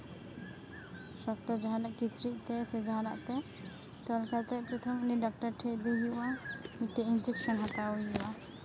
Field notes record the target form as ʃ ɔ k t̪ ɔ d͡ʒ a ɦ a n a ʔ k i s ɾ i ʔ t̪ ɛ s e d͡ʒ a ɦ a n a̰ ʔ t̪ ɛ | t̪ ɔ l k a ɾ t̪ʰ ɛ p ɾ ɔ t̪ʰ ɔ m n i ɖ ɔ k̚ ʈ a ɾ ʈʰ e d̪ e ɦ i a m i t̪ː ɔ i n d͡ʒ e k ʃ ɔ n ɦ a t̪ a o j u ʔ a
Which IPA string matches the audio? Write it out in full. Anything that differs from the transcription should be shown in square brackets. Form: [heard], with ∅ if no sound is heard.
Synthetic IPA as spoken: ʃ ɔ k t̪ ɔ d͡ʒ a ɦ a n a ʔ k i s ɾ i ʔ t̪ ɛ s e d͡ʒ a ɦ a n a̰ ʔ t̪ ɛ | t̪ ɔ l k a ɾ [t̪] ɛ p ɾ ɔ t̪ʰ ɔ m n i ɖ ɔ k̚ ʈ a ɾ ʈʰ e d̪ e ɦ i a m i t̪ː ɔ i n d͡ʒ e k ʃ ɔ n ɦ a t̪ a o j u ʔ a